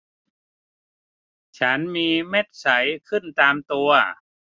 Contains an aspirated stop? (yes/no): yes